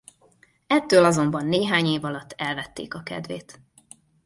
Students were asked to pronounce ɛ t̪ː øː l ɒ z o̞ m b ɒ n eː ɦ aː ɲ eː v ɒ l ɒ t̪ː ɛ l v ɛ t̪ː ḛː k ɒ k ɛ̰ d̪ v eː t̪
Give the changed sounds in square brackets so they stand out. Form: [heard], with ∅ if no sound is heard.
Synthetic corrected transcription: ɛ t̪ː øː l ɒ z o̞ m b ɒ [nː] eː ɦ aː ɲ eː v ɒ l ɒ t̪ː ɛ l v ɛ t̪ː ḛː k ɒ k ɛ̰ d̪ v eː t̪

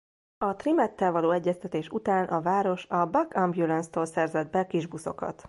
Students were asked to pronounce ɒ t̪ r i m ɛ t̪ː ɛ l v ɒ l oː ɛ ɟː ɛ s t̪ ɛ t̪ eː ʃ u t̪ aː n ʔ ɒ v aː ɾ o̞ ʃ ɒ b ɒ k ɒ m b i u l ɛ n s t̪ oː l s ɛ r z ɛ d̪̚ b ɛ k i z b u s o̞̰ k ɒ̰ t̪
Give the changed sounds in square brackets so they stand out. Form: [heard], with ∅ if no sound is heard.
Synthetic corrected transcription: ɒ t̪ r i m ɛ t̪ː ɛ l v ɒ l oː ɛ ɟː ɛ s t̪ ɛ t̪ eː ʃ u t̪ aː n ʔ ɒ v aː ɾ o̞ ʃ ɒ b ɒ k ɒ m b [j] u l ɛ n s t̪ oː l s ɛ r z ɛ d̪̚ b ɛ k i [ʒ] b u s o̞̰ k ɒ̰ t̪

